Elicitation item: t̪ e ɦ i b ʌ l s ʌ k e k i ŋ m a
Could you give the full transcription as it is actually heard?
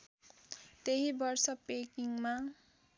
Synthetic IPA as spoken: t̪ e ɦ i b ʌ r s ʌ p e k i ŋ m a